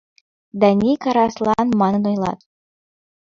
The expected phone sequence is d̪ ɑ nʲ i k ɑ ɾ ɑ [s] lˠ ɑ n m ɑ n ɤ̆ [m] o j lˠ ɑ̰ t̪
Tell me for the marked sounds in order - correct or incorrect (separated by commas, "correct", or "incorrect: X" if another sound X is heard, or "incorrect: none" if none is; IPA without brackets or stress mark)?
correct, incorrect: n